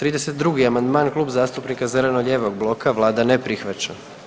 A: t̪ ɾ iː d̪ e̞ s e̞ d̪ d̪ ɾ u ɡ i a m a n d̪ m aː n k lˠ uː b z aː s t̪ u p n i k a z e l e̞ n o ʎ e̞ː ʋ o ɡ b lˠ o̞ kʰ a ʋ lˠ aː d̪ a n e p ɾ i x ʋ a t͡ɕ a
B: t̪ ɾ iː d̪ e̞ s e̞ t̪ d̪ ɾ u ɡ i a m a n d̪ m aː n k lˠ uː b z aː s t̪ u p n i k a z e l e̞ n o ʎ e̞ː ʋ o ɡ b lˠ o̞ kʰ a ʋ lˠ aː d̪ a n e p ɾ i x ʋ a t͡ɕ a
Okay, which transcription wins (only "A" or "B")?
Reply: B